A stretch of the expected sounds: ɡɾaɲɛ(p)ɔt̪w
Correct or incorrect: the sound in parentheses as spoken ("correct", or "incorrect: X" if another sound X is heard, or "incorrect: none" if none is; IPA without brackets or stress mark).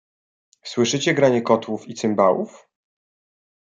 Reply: incorrect: k